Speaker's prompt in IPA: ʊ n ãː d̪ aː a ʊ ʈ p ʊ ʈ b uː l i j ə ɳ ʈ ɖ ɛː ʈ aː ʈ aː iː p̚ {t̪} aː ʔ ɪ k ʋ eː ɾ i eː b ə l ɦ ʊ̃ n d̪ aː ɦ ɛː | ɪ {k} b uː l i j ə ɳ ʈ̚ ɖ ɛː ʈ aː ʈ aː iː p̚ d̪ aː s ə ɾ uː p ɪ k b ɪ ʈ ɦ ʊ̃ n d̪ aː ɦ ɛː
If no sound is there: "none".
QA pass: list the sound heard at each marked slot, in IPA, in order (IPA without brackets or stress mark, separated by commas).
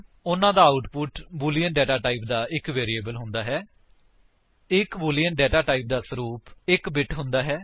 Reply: d̪, k